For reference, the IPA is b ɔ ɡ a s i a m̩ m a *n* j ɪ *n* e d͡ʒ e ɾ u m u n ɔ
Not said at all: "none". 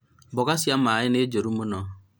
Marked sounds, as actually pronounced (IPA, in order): none, n

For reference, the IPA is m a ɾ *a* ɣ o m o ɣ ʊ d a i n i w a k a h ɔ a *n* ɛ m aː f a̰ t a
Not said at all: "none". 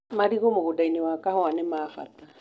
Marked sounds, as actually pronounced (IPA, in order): i, n

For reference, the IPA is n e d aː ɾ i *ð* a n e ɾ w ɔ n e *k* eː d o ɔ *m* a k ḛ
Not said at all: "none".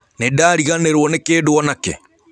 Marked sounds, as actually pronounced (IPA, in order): ɣ, k, n

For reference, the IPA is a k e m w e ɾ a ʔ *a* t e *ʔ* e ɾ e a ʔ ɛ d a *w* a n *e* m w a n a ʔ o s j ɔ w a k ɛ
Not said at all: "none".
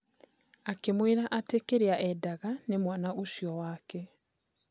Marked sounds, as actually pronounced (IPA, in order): a, k, ɣ, e

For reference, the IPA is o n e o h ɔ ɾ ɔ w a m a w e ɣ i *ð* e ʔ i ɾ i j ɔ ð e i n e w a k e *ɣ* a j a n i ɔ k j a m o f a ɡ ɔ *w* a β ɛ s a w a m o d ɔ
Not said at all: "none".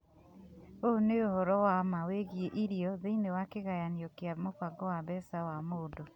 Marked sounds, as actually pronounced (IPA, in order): none, ɣ, w

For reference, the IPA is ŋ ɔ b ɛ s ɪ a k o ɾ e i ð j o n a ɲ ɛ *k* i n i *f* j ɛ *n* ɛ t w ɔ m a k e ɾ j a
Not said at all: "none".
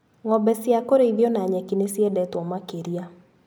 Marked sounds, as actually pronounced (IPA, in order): k, s, d

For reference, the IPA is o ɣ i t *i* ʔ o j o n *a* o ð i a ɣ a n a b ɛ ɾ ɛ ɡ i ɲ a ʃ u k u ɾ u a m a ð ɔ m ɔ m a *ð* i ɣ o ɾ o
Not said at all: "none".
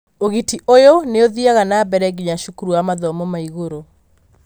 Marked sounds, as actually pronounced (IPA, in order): i, e, none

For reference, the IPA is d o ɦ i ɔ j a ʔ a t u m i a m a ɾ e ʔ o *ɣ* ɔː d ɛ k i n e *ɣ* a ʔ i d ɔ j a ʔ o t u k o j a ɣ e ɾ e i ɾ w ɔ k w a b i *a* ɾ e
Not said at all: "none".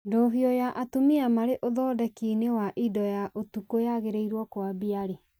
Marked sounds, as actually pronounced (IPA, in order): ð, w, a

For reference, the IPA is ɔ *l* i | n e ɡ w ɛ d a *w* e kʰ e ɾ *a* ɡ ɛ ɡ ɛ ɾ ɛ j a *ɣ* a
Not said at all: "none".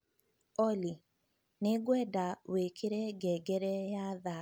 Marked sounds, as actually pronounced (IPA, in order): l, w, ɛ, ð

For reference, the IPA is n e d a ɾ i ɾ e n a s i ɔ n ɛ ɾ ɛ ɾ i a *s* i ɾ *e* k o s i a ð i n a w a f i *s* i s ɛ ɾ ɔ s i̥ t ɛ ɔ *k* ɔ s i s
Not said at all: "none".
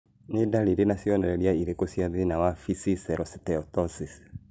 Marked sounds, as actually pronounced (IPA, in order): none, e, s, t

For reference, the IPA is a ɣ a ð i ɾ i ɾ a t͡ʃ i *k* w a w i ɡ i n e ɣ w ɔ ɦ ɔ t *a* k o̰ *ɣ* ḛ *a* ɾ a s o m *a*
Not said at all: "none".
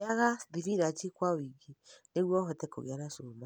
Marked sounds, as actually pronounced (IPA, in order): k, ɛ, ɣ, a, a

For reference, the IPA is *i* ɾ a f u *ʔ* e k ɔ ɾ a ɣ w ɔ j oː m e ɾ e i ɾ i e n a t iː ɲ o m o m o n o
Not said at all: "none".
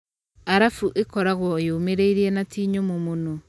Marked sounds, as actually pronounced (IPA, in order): a, ʔ

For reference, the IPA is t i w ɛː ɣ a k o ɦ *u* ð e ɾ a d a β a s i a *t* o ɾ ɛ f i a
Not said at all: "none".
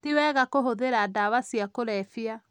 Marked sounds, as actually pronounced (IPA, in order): o, k

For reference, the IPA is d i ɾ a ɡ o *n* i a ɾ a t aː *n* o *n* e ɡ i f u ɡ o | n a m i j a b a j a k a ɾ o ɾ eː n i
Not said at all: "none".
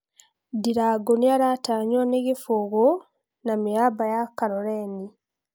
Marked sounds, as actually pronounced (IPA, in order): n, ɲ, n

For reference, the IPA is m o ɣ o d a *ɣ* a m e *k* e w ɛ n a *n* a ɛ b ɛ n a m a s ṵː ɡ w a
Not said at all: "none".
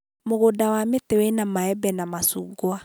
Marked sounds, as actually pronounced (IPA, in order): w, t, m

